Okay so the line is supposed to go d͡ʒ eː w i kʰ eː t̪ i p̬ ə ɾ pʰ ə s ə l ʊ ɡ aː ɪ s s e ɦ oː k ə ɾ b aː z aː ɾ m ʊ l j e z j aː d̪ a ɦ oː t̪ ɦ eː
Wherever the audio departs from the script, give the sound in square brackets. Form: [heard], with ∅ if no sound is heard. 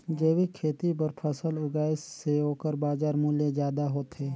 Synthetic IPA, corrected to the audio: d͡ʒ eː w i kʰ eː t̪ i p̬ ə ɾ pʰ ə s ə l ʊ ɡ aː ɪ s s e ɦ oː k ə ɾ b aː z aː ɾ m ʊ l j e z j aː d̪ a ɦ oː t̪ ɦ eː